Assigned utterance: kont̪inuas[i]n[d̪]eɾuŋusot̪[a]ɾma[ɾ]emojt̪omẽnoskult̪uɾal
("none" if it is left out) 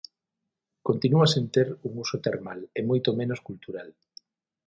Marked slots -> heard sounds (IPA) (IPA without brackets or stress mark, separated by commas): e, t̪, e, l